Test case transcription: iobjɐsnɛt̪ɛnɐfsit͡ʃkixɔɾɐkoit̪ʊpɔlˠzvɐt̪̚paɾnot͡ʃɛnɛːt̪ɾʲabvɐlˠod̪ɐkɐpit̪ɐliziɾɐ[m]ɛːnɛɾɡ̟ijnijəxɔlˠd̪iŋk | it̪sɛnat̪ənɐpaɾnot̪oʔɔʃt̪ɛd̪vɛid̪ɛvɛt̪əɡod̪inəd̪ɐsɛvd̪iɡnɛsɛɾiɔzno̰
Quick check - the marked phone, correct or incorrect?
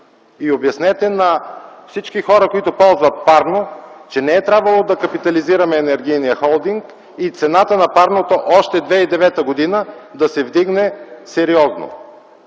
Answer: correct